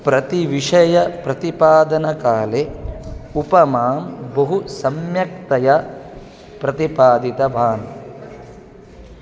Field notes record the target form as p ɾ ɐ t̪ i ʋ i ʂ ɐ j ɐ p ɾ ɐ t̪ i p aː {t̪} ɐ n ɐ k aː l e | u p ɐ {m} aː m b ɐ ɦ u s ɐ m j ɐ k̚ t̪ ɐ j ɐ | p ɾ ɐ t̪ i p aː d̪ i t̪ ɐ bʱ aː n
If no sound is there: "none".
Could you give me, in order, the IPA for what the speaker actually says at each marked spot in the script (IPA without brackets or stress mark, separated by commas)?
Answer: d̪, m